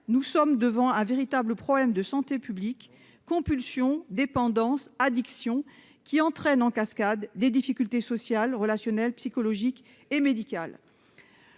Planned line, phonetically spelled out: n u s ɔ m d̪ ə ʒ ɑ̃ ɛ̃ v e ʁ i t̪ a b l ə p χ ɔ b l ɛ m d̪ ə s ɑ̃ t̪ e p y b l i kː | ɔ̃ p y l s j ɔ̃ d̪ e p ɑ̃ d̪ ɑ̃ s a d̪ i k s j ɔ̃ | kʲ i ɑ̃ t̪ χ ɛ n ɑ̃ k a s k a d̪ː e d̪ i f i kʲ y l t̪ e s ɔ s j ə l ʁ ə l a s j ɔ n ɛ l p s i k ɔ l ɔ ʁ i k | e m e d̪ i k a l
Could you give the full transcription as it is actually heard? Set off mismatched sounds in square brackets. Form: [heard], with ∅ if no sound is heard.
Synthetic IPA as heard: n u s ɔ m d̪ ə [v] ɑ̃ ɛ̃ v e ʁ i t̪ a b l ə p χ ɔ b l ɛ m d̪ ə s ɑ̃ t̪ e p y b l i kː | ɔ̃ p y l s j ɔ̃ d̪ e p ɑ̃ d̪ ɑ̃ s a d̪ i k s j ɔ̃ | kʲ i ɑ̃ t̪ χ ɛ n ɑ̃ k a s k a d̪ː e d̪ i f i kʲ y l t̪ e s ɔ s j [a] l ʁ ə l a s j ɔ n ɛ l p s i k ɔ l ɔ [ʒ] i k | e m e d̪ i k a l

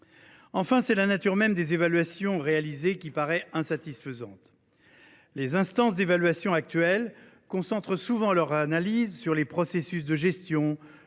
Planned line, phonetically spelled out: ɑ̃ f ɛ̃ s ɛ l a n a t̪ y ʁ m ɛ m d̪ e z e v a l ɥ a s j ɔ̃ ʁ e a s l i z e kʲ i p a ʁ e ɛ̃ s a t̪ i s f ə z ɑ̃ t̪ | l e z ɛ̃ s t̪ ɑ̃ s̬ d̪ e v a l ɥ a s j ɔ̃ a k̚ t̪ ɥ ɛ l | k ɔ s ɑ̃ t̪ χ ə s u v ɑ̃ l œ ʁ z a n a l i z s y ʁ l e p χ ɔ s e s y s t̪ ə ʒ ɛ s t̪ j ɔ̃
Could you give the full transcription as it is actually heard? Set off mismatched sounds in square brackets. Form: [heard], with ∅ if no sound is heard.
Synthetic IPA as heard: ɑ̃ f ɛ̃ s ɛ l a n a t̪ y ʁ m ɛ m d̪ e z e v a l ɥ a s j ɔ̃ ʁ e a [∅] l i z e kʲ i p a ʁ [ɛ] ɛ̃ s a t̪ i s f ə z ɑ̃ t̪ | l e z ɛ̃ s t̪ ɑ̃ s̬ d̪ e v a l ɥ a s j ɔ̃ a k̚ t̪ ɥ ɛ l | k [ɔ̃] s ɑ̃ t̪ χ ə s u v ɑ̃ l œ ʁ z a n a l i z s y ʁ l e p χ ɔ s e s y s [d̪] ə ʒ ɛ s t̪ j ɔ̃

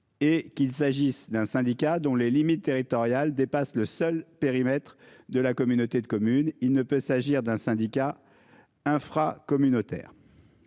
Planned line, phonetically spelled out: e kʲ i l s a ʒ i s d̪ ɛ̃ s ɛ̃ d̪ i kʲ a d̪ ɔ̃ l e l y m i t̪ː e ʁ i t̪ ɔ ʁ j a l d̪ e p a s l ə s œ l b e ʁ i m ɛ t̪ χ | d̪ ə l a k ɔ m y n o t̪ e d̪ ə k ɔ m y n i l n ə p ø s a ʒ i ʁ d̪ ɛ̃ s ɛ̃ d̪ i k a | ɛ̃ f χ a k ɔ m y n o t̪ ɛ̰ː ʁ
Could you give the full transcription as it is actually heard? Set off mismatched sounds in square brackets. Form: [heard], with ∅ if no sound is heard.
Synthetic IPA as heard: e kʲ i l s a ʒ i s d̪ ɛ̃ s ɛ̃ d̪ i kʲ a d̪ ɔ̃ l e l [i] m i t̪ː e ʁ i t̪ ɔ ʁ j a l d̪ e p a s l ə s œ l [p] e ʁ i m ɛ t̪ χ | d̪ ə l a k ɔ m y n o t̪ e d̪ ə k ɔ m y n i l n ə p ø s a ʒ i ʁ d̪ ɛ̃ s ɛ̃ d̪ i k a | ɛ̃ f χ a k ɔ m y n o t̪ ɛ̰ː ʁ

